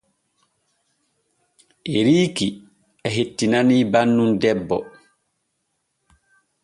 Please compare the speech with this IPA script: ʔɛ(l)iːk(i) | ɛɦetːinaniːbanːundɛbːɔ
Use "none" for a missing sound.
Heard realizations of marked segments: ɾ, i

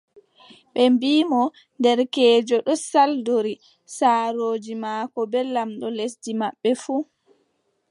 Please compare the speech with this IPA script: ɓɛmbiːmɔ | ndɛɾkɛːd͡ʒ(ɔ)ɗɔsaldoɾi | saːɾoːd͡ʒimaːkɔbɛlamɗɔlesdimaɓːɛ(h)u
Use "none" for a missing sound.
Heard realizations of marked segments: ɔ, f

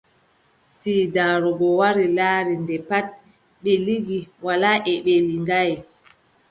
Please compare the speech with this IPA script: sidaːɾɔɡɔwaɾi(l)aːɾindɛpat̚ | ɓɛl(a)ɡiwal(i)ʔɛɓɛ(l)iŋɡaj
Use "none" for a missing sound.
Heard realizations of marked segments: l, i, a, l

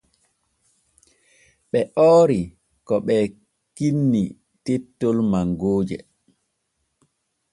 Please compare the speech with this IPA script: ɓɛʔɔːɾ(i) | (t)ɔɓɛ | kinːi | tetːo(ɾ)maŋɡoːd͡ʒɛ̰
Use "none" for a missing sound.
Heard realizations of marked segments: i, k, l

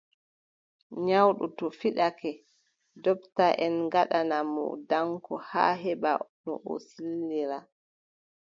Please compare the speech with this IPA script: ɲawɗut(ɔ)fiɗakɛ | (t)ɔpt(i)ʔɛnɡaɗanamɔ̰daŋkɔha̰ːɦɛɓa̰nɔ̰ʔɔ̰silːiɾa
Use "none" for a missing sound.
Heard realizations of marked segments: ɔ, d, a

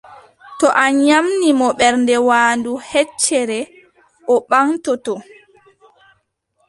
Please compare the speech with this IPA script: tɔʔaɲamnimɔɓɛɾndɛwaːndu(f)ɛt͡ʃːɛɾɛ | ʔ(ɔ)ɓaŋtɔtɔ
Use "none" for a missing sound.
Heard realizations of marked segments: h, ɔ

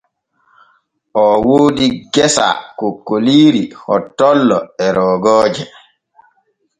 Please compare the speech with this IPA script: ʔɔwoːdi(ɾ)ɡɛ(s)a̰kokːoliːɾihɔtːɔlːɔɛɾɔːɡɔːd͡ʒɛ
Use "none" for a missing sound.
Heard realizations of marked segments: none, s

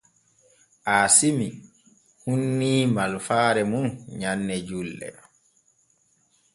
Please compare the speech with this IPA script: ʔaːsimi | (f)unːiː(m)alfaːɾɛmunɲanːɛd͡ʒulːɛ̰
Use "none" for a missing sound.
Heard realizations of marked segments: h, m

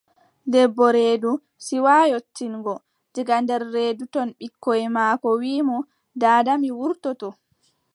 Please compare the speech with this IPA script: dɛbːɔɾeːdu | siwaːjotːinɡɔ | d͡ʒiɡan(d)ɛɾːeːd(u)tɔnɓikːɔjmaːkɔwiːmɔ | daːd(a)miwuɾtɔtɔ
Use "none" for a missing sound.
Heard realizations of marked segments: d, u, a

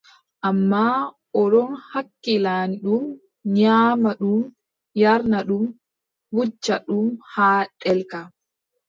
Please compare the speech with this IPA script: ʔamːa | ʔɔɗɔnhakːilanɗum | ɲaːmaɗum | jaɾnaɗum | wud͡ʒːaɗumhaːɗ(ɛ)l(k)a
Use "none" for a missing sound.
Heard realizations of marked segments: ɛ, k

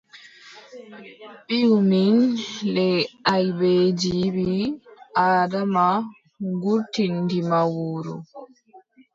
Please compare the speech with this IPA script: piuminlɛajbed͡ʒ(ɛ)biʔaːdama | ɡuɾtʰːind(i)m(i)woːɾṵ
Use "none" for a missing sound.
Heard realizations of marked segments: i, i, a

